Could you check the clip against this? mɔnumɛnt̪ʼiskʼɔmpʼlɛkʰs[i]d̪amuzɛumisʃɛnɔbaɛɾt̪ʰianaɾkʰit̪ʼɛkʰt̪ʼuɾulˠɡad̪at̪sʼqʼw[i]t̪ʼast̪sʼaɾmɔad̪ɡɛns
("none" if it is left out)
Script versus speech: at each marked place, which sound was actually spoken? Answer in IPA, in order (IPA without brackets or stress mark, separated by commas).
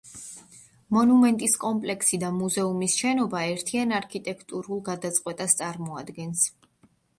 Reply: i, ɛ